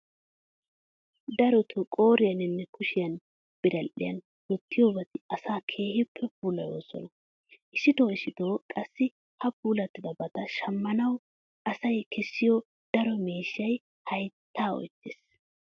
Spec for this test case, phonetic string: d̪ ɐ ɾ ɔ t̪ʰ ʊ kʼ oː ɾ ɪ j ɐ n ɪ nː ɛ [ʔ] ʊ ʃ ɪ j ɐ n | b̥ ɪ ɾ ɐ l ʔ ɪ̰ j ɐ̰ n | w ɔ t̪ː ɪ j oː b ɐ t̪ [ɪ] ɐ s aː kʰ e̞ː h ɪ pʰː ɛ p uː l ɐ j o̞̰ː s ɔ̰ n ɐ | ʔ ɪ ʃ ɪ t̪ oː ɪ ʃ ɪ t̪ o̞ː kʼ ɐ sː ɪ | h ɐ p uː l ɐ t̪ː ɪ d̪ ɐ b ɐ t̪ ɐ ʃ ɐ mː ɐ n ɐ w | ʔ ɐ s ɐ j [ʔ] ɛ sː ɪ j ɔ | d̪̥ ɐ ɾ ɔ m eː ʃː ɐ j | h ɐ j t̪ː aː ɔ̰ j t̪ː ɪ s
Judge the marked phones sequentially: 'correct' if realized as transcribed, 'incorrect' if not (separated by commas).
incorrect, correct, incorrect